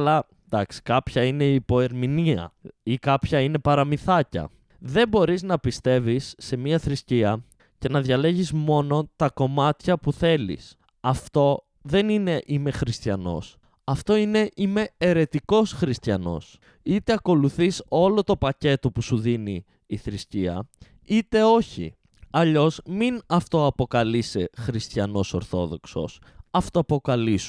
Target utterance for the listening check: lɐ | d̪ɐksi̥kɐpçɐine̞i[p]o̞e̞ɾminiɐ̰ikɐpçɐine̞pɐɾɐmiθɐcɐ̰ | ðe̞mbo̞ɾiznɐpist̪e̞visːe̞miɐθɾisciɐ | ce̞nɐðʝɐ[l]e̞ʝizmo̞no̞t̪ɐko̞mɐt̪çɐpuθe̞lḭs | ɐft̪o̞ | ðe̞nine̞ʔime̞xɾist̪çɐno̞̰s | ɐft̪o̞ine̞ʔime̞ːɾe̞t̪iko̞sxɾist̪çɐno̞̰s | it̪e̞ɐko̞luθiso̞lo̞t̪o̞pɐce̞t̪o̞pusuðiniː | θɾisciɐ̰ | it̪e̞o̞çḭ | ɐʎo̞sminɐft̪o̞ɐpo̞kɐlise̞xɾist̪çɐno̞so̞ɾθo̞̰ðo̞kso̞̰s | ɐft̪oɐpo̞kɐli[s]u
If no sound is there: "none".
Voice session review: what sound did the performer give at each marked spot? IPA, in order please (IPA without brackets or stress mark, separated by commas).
p, l, s